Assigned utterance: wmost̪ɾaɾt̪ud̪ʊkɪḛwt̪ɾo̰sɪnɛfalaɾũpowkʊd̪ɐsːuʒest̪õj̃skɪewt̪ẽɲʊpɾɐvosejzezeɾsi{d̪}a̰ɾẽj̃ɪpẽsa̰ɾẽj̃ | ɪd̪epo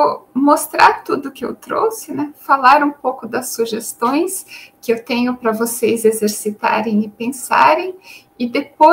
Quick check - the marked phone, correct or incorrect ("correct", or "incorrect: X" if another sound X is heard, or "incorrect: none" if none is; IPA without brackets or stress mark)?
incorrect: t̪